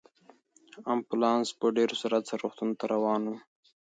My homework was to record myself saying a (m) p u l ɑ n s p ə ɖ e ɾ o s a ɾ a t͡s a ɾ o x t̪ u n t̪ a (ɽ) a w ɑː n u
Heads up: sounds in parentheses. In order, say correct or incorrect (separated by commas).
correct, incorrect